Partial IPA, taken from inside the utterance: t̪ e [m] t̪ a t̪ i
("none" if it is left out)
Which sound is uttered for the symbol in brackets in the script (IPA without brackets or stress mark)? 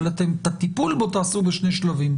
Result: m